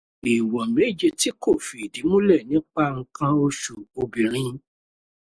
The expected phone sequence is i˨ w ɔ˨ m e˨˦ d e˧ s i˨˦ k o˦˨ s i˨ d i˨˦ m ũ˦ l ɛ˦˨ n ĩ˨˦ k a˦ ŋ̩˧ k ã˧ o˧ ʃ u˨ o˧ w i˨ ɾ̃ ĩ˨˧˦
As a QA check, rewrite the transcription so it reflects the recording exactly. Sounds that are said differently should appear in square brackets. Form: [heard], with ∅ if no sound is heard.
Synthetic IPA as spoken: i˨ w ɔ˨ m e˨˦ [d͡ʒ] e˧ [t] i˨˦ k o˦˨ [f] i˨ d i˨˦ m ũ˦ l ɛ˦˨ n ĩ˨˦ [k͡p] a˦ ŋ̩˧ k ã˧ o˧ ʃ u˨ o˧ [b] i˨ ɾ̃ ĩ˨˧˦